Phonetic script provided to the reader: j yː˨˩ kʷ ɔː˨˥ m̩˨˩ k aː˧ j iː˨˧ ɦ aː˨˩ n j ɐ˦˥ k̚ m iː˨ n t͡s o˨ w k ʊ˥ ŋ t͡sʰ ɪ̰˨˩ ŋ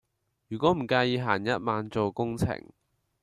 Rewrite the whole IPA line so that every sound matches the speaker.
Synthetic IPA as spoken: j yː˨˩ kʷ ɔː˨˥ m̩˨˩ k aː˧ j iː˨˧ ɦ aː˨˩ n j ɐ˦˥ t̚ m aː˨ n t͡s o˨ w k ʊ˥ ŋ t͡sʰ ɪ̰˨˩ ŋ

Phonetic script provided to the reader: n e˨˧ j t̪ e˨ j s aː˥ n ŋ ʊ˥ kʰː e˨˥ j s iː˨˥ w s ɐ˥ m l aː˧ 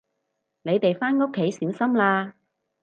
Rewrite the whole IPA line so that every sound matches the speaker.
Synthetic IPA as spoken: n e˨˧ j t̪ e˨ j f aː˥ n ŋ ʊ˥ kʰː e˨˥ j s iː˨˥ w s ɐ˥ m l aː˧

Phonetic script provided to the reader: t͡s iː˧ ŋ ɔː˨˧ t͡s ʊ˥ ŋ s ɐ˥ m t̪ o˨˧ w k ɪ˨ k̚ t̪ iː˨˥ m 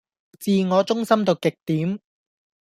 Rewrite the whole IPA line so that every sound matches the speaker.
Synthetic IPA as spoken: t͡s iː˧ ŋ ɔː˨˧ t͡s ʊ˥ ŋ s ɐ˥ m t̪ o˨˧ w k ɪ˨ k̚ t̪ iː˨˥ m

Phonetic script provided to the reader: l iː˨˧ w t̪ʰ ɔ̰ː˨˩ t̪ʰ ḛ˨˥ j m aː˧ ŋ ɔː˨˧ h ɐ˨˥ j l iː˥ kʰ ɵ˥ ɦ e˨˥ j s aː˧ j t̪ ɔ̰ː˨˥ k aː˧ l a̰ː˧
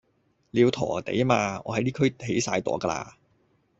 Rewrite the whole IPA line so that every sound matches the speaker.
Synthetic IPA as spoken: l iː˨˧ w t̪ʰ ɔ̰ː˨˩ t̪ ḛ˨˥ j m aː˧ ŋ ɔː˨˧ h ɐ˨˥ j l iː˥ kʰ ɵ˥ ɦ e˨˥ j s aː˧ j t̪ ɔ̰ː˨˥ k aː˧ l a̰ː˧

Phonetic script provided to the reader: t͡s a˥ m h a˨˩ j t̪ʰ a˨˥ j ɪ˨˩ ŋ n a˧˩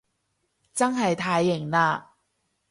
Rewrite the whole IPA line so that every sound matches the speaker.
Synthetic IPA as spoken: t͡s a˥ ŋ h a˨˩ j t̪ʰ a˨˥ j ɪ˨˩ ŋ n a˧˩

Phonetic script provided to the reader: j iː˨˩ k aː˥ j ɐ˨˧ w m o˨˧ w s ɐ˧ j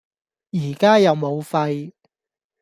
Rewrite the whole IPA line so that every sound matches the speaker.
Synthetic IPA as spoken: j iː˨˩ k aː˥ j ɐ˨˧ w m o˨˧ w f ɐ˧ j

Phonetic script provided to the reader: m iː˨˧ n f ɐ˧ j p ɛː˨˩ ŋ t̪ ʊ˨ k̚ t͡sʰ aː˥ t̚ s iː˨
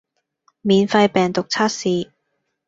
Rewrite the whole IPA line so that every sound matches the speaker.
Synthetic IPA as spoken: m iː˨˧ n f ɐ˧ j p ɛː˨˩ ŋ t̪ ʊ˨ k̚ t͡sʰ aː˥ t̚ s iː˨

